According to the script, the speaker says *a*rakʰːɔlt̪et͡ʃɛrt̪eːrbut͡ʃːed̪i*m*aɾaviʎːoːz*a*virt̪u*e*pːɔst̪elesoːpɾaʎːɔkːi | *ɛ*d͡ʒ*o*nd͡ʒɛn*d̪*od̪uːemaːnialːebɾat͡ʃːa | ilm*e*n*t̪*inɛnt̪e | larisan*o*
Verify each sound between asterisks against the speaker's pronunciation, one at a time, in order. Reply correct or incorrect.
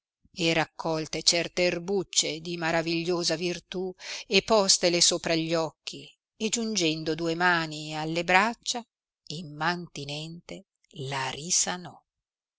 incorrect, correct, correct, correct, incorrect, incorrect, correct, incorrect, correct, incorrect

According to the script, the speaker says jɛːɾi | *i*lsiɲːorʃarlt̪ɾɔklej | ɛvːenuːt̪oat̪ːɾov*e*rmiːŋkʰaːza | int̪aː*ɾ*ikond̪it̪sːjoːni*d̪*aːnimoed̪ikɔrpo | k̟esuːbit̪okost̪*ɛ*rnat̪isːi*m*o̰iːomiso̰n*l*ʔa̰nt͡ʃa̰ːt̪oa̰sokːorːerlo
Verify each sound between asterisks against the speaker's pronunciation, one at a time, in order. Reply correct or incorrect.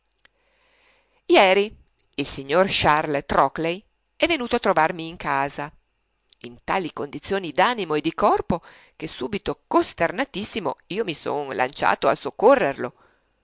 correct, incorrect, incorrect, correct, incorrect, correct, correct

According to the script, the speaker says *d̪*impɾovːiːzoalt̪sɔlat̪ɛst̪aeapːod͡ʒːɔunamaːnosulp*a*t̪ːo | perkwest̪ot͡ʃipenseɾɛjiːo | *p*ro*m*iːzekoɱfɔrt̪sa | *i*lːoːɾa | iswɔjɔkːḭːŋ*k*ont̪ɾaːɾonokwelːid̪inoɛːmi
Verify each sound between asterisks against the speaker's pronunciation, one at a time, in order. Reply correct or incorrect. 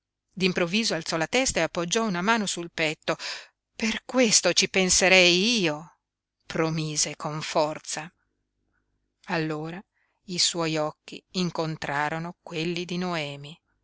correct, incorrect, correct, correct, incorrect, correct

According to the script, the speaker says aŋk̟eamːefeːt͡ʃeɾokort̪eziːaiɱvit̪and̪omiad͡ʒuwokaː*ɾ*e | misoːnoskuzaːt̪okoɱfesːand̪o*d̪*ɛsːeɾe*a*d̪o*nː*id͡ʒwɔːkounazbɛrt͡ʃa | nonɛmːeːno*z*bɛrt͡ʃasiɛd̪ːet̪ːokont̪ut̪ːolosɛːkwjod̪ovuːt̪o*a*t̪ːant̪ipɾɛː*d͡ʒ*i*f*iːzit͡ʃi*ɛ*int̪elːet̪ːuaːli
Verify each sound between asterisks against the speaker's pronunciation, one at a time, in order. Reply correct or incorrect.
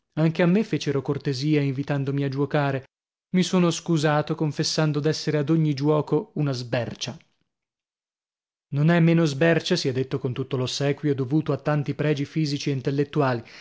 correct, correct, correct, incorrect, correct, correct, correct, correct, incorrect

